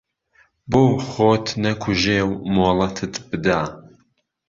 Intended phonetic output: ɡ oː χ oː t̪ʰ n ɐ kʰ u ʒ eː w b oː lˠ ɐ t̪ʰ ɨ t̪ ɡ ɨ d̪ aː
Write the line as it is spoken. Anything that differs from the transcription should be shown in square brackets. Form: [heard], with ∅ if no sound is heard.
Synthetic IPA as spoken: [b] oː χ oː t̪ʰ n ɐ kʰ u ʒ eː w [m] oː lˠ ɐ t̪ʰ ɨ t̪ [b] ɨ d̪ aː